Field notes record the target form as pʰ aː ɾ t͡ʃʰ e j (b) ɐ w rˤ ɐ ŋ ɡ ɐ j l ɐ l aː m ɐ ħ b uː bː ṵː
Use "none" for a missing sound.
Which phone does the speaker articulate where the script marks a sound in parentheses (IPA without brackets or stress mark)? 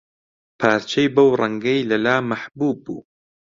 b